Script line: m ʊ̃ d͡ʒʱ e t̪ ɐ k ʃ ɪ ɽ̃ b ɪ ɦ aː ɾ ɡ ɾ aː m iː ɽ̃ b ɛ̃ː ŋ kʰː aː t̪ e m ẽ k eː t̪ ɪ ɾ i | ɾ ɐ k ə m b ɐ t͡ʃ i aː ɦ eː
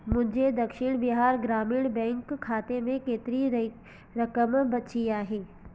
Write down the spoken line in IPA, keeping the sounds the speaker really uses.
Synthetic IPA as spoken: m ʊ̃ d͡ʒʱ e d̪ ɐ k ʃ ɪ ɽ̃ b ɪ ɦ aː ɾ ɡ ɾ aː m iː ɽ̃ b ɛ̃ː ŋ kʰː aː t̪ e m ẽ k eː t̪ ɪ ɾ i | ɾ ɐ k ə m b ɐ t͡ʃ i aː ɦ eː